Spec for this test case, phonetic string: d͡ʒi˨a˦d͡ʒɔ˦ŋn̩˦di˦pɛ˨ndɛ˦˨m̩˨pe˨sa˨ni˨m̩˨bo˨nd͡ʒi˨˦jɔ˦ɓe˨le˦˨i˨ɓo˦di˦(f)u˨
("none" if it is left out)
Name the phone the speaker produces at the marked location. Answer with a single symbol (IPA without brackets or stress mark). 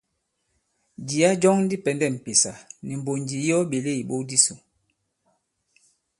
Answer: s